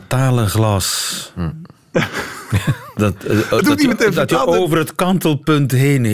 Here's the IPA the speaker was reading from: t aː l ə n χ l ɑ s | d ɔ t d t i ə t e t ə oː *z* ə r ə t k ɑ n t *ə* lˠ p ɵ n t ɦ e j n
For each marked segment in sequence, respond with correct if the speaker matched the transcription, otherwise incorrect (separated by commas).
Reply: incorrect, correct